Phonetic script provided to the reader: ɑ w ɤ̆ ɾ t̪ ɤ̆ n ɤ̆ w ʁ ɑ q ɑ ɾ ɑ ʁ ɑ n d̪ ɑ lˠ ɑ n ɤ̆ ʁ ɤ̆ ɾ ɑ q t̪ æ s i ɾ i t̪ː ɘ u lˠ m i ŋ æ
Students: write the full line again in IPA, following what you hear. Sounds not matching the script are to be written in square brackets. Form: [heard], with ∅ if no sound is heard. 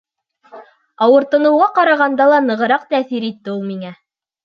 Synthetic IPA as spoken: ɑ w ɤ̆ ɾ t̪ ɤ̆ n ɤ̆ w ʁ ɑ q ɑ ɾ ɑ ʁ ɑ n d̪ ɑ lˠ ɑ n ɤ̆ ʁ ɤ̆ ɾ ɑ q t̪ æ [θ] i ɾ i t̪ː ɘ u lˠ m i ŋ æ